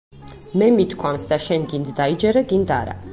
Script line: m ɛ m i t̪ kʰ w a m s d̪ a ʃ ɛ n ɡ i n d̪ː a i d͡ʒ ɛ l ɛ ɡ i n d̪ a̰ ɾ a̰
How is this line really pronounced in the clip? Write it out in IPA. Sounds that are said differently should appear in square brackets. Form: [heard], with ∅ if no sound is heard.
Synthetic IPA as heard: m ɛ m i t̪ kʰ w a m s d̪ a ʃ ɛ n ɡ i n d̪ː a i d͡ʒ ɛ [ɾ] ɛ ɡ i n d̪ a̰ ɾ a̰